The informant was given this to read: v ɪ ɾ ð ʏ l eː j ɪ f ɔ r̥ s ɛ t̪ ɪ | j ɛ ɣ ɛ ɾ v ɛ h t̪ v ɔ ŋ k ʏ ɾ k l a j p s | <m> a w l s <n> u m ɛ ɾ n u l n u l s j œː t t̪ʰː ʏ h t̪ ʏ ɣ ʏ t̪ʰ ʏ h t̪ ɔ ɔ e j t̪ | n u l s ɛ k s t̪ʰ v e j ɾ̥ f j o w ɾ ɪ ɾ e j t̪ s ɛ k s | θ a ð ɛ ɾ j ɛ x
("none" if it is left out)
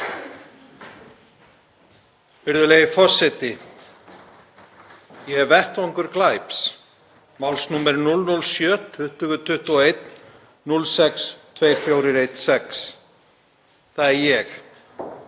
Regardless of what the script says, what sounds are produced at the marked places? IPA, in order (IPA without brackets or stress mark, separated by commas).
m, n